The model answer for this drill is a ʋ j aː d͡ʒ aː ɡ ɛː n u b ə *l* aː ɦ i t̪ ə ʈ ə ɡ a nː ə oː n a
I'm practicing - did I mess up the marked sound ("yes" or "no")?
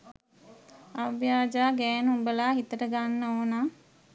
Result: no